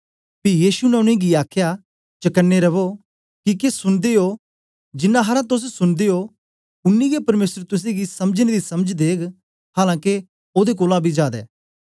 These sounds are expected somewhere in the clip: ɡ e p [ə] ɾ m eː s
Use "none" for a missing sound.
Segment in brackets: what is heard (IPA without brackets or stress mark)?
ɐ